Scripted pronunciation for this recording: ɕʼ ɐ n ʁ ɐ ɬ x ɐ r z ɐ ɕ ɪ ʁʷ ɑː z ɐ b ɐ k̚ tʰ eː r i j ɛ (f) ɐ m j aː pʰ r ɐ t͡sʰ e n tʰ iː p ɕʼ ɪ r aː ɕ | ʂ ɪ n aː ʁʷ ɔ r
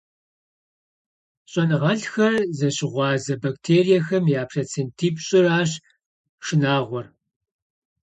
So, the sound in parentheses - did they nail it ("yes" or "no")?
no